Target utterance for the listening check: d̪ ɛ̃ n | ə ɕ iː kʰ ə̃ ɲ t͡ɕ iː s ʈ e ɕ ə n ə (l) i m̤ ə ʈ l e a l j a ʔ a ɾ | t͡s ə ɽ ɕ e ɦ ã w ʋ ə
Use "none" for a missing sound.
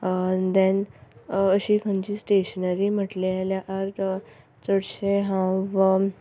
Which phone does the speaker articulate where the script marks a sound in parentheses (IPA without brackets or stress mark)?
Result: ɾ